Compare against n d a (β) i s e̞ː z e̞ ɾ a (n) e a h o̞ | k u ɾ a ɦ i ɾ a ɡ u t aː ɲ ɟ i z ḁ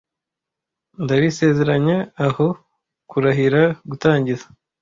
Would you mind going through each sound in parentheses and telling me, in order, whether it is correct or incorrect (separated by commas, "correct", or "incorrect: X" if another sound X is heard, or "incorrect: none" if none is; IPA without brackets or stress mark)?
correct, incorrect: ɲ